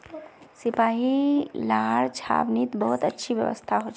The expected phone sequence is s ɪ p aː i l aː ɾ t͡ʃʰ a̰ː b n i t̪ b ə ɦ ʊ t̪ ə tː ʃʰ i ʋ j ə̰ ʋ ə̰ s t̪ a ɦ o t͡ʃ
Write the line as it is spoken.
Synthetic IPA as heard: s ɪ p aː i l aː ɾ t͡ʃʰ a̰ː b n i t̪ b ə ɦ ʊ t̪ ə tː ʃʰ i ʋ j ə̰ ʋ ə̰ s t̪ʰ a ɦ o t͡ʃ